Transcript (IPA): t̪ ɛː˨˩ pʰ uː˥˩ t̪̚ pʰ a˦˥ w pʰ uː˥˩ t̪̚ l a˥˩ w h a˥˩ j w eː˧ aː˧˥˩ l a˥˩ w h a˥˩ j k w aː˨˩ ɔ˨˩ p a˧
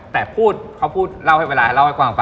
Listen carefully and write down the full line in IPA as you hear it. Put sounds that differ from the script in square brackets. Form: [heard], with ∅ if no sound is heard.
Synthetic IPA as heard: t̪ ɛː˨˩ pʰ uː˥˩ t̪̚ [kʰ] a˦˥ w pʰ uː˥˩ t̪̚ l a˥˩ w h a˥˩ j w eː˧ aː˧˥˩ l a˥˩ w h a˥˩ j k w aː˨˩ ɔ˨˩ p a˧